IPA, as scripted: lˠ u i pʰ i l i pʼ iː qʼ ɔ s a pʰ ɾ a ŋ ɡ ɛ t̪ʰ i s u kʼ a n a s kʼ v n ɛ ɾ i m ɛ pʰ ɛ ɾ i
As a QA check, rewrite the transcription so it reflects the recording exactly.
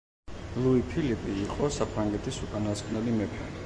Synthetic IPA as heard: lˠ u i pʰ i l i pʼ iː qʼ ɔ s a pʰ ɾ a ŋ ɡ ɛ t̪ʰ i s u kʼ a n a s kʼ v n ɛ l i m ɛ pʰ ɛ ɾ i

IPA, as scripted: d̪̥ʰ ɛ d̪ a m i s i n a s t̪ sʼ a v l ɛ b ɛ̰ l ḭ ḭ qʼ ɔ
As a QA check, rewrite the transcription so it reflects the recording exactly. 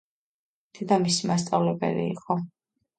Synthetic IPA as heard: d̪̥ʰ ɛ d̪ a m i s i m a s t̪ sʼ a v l ɛ b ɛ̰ l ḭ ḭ qʼ ɔ

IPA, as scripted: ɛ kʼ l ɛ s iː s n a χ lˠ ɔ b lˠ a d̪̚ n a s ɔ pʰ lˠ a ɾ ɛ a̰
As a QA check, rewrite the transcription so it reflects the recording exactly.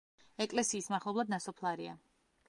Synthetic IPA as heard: ɛ kʼ l ɛ s iː s m a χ lˠ ɔ b lˠ a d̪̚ n a s ɔ pʰ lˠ a ɾ i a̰

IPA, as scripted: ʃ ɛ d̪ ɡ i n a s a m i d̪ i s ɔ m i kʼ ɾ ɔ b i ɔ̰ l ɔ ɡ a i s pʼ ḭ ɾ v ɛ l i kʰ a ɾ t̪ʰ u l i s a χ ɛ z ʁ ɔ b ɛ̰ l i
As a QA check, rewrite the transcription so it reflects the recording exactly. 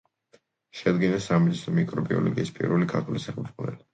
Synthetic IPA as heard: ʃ ɛ d̪ ɡ i n a s a m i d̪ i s ɔ m i kʼ ɾ ɔ b i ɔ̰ l ɔ ɡ i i s pʼ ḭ ɾ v ɛ l i kʰ a ɾ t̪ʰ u l i s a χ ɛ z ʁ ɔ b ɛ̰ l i

